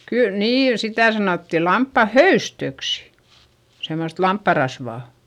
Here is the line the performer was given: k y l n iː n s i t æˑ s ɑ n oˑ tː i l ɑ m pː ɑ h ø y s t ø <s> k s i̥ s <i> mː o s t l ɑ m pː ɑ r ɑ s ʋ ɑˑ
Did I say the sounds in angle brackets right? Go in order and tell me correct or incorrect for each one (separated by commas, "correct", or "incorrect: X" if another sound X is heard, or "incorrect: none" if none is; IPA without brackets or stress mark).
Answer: incorrect: none, incorrect: e